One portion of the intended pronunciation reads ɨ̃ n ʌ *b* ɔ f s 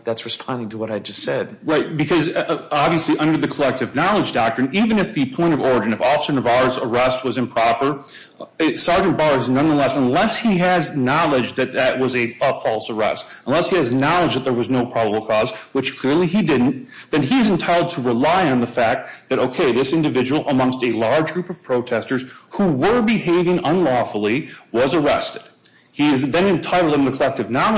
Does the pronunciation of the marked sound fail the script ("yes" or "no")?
yes